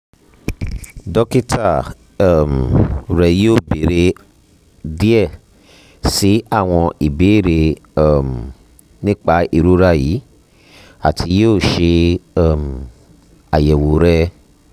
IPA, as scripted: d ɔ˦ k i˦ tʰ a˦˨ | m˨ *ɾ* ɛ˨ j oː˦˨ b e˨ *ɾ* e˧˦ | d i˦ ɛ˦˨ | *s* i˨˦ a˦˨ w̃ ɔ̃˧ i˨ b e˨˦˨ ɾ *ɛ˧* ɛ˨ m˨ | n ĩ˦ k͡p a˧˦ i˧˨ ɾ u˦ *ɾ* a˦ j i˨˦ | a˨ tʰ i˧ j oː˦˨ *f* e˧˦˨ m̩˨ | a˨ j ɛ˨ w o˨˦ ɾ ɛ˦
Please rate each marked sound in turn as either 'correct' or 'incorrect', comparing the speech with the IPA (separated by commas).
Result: correct, correct, correct, incorrect, correct, incorrect